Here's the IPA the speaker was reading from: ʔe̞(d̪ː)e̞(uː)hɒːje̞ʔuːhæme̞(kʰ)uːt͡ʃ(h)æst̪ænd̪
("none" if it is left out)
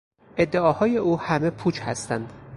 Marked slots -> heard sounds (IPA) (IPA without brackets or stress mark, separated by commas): d̪ː, ɒː, pʰ, h